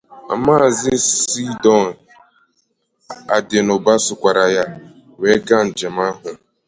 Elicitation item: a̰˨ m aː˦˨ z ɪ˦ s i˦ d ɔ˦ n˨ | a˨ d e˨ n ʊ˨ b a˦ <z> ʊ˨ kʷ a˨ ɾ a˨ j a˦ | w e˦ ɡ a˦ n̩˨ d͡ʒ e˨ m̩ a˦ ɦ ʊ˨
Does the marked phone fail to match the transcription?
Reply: yes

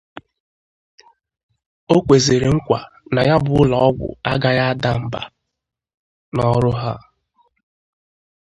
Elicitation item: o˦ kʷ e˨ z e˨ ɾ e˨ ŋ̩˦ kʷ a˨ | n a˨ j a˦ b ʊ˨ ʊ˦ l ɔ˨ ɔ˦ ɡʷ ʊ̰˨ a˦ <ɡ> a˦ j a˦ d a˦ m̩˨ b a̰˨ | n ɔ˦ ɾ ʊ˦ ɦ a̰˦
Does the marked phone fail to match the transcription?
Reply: no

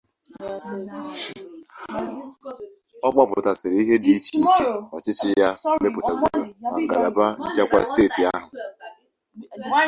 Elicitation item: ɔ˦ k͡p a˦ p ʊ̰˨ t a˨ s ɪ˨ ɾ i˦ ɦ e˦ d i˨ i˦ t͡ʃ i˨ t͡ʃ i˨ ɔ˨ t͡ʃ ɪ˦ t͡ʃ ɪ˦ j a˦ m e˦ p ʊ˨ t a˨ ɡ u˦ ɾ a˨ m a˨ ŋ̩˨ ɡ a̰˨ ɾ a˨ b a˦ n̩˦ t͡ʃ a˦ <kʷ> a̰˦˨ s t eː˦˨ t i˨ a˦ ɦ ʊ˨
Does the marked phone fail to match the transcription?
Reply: no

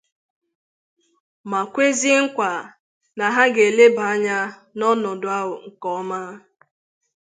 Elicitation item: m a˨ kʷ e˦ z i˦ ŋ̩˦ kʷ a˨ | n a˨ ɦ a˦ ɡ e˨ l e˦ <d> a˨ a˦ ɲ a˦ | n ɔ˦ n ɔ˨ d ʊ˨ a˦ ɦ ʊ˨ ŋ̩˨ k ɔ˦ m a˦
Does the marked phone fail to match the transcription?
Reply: yes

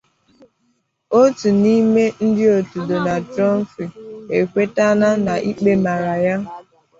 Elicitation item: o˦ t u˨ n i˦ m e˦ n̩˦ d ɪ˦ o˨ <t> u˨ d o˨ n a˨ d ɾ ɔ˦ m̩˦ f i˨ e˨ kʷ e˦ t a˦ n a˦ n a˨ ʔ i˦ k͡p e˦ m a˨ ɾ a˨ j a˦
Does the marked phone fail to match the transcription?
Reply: no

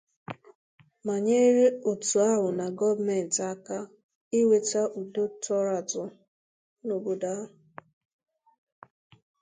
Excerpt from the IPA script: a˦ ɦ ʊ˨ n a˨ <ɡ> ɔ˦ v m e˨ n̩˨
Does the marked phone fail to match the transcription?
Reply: no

